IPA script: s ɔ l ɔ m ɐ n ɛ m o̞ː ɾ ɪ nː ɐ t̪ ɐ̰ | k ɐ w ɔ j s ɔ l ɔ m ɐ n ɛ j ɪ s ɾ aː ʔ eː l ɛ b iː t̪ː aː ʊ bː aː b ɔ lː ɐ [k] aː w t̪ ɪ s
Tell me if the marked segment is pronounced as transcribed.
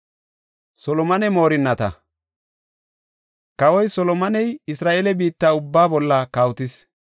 yes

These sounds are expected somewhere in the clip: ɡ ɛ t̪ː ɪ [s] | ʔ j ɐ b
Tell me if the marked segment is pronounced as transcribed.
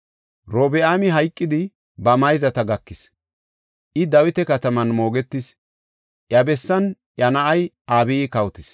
yes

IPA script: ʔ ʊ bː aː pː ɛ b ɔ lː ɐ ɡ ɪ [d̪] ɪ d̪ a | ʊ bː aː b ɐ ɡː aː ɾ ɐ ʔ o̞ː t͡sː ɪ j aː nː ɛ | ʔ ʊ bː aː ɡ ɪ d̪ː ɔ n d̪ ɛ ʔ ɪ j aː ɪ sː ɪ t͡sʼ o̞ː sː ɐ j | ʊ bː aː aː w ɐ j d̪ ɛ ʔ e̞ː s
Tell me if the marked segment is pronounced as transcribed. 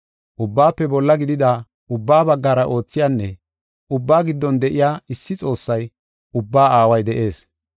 yes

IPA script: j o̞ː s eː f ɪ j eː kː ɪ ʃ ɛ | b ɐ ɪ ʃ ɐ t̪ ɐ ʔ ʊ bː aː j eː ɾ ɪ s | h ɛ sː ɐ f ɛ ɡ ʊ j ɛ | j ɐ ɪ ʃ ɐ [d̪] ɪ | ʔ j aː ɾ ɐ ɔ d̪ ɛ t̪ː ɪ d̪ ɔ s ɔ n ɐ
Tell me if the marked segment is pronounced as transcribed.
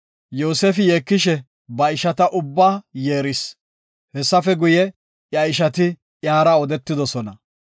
no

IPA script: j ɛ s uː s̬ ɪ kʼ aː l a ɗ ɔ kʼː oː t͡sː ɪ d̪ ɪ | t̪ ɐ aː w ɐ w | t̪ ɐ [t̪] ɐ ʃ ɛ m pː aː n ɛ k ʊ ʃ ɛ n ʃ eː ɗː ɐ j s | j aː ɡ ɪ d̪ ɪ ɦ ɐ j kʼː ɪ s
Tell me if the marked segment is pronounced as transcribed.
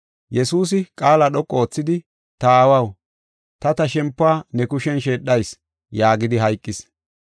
yes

